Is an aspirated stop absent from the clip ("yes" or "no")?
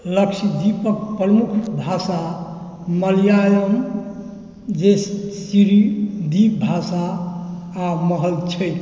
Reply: no